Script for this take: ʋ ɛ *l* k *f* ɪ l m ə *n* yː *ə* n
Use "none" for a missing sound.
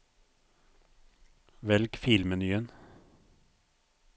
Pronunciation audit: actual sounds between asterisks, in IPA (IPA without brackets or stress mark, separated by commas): l, f, n, ə